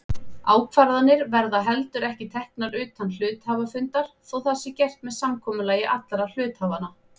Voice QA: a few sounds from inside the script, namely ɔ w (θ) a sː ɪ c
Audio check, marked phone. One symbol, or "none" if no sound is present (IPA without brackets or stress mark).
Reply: θ